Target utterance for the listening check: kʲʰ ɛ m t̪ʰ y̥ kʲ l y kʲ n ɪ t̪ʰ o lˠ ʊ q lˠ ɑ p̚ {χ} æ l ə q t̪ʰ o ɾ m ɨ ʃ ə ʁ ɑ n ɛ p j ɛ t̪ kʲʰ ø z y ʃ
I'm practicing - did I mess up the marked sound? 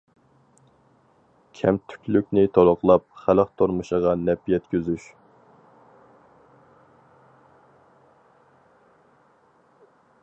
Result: no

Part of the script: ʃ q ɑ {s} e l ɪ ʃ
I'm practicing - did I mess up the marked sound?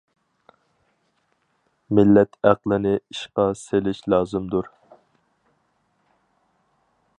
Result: no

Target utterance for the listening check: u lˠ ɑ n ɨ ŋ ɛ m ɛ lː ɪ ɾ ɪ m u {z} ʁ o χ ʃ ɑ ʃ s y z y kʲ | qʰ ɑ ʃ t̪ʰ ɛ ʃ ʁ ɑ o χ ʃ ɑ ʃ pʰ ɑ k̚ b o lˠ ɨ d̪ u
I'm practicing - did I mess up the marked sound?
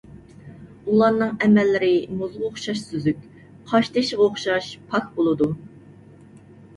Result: no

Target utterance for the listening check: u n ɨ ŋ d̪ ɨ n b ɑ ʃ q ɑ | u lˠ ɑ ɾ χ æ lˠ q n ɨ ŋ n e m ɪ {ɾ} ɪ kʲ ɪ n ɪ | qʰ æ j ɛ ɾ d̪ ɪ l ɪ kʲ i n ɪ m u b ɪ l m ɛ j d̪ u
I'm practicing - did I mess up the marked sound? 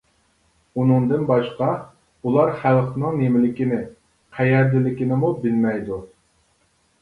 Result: yes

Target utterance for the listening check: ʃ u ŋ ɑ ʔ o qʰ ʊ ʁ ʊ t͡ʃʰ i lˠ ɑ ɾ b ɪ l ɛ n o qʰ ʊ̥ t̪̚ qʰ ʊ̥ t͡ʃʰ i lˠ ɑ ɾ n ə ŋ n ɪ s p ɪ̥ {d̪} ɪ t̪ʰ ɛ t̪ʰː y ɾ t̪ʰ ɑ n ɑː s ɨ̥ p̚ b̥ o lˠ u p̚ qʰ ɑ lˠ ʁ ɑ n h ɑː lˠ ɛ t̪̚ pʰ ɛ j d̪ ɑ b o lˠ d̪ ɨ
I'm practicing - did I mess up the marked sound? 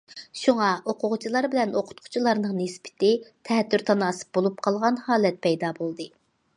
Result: yes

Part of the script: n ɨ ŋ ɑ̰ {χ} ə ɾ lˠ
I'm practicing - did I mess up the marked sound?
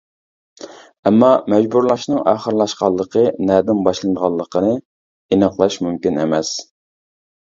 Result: no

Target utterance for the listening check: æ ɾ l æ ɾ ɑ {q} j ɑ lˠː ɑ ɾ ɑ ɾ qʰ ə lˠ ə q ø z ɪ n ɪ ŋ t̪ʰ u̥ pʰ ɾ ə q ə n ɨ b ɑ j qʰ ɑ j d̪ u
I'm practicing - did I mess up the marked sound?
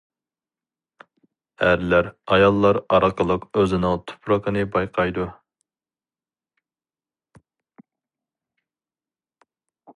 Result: yes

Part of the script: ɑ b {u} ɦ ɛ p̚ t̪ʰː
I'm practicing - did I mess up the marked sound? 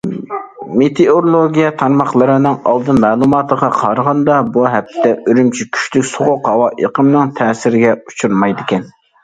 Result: no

